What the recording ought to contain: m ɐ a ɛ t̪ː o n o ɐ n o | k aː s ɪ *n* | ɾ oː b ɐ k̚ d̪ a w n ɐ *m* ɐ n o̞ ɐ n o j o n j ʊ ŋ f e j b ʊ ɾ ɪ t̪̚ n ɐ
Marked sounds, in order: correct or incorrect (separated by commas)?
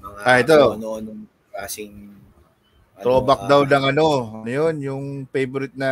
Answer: incorrect, incorrect